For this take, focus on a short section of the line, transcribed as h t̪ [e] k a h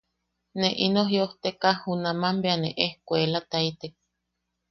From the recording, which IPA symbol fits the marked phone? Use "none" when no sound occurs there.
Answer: e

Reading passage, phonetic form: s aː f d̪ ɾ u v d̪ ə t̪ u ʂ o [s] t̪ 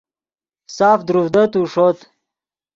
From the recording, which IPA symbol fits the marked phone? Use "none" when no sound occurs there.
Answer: none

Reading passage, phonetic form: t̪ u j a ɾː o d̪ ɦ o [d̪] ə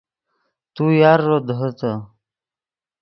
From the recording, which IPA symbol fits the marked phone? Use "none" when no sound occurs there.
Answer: t̪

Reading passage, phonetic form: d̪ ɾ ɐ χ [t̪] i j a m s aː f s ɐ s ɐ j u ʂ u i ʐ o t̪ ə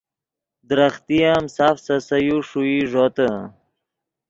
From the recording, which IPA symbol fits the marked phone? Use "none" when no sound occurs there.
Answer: t̪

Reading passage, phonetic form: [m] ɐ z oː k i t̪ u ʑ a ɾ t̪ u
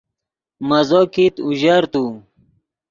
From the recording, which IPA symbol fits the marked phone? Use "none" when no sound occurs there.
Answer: m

